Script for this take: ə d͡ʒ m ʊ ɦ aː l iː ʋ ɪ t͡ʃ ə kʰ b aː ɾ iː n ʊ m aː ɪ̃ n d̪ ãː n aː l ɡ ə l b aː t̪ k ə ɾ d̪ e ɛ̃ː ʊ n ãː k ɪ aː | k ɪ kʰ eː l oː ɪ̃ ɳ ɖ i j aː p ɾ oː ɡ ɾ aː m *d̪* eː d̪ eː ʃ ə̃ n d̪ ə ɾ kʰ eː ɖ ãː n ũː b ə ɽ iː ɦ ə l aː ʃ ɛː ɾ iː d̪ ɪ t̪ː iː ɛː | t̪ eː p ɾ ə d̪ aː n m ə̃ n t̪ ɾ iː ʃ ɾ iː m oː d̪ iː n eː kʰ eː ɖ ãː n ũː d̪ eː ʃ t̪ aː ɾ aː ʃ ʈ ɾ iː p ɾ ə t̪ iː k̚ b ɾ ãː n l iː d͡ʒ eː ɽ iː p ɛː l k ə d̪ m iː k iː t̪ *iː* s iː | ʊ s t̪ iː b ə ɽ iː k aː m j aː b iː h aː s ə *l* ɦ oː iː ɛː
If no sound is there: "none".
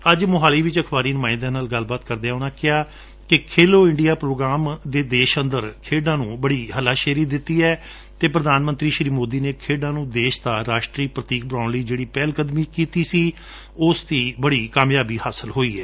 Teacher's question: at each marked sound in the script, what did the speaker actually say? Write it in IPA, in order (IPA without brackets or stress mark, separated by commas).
d̪, iː, l